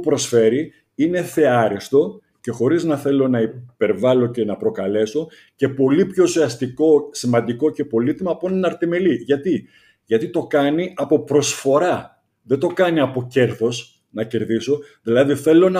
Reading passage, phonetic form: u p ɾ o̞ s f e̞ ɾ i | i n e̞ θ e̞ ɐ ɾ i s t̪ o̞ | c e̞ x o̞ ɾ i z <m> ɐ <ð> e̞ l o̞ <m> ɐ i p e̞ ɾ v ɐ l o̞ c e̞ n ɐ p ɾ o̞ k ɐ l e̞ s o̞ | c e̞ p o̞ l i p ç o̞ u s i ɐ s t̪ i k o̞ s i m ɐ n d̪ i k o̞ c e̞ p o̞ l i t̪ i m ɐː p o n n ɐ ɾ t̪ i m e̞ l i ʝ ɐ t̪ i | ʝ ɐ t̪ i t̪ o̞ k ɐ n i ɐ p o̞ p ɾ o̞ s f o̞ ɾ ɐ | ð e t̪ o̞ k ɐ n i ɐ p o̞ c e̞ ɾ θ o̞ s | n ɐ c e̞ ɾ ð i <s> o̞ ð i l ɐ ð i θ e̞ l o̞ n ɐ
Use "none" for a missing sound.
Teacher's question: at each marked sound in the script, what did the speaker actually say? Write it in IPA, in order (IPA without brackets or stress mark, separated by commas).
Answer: n, θ, n, s